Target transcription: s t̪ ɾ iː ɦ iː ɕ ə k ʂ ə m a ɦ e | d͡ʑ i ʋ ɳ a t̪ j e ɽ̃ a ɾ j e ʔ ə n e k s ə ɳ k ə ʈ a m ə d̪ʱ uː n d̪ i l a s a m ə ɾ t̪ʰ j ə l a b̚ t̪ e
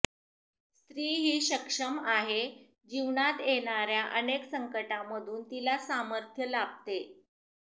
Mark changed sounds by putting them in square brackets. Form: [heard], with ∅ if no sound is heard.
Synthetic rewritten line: s t̪ ɾ iː ɦ iː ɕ ə k ʂ ə m a ɦ e | d͡ʑ i ʋ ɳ a t̪ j e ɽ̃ a ɾ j [a] ʔ ə n e k s ə [ŋ] k ə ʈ a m ə d̪ʱ uː n [t̪] i l a s a m ə ɾ t̪ʰ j ə l a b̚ t̪ e